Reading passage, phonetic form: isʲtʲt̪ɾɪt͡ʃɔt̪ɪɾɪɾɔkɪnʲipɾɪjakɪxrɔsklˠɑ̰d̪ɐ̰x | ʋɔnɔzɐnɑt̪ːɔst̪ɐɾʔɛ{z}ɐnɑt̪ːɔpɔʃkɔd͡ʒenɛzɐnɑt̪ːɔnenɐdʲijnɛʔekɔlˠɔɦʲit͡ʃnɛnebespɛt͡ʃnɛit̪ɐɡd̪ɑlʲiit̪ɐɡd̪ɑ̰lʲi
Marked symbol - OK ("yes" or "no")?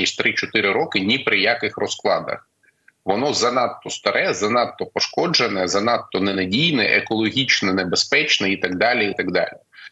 yes